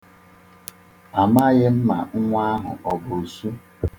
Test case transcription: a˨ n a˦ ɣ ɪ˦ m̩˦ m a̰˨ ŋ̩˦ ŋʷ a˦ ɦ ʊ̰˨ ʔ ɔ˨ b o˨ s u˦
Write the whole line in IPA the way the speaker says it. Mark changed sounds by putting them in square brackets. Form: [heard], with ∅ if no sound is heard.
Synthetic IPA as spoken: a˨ [m] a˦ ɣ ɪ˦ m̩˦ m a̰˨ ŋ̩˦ ŋʷ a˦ ɦ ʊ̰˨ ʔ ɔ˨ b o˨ s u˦